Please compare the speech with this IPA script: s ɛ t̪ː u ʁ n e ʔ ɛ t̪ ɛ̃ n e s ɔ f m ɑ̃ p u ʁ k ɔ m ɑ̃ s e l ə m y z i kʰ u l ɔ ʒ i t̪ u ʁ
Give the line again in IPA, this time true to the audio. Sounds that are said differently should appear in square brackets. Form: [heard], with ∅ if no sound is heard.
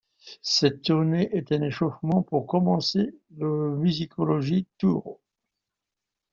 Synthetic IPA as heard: s ɛ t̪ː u ʁ n e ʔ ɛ t̪ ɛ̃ n e [ʃ] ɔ f m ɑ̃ p u ʁ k ɔ m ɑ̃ s e l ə m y z i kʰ [ɔ] l ɔ ʒ i t̪ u ʁ